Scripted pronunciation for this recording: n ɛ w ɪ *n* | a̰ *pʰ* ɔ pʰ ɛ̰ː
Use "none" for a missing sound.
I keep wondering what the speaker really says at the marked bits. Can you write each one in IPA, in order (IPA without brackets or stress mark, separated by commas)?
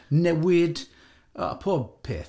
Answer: d, pʰ